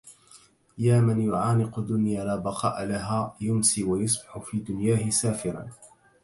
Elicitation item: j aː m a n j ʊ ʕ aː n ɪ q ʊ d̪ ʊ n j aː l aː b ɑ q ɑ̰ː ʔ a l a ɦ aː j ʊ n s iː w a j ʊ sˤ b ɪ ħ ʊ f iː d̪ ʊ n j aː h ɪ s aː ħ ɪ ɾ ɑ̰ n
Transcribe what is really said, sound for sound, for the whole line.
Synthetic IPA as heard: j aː m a n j ʊ ʕ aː n ɪ q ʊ d̪ ʊ n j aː l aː b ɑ q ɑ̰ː ʔ a l a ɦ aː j ʊ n s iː w a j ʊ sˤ b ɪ ħ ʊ f iː d̪ ʊ n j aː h ɪ s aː f ɪ ɾ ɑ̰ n